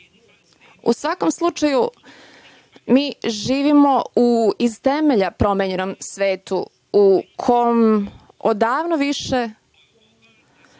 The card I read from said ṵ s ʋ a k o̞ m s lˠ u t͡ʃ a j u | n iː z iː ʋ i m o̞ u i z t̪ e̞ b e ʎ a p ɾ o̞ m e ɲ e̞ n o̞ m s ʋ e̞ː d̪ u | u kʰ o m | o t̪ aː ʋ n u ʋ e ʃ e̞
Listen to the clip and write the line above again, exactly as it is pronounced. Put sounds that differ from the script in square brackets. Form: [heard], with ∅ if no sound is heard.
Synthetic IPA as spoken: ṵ s ʋ a k o̞ m s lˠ u t͡ʃ a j u | [m] iː [ʒ] iː ʋ i m o̞ u i z t̪ e̞ [m] e ʎ a p ɾ o̞ m e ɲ e̞ n o̞ m s ʋ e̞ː [t̪] u | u kʰ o m | o [d̪] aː ʋ n [o] ʋ [i] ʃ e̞